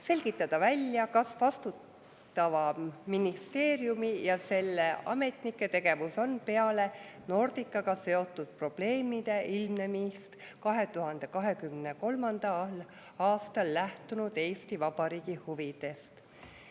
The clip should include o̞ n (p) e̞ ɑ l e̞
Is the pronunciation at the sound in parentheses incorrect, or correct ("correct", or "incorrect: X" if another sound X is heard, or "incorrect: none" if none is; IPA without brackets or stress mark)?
correct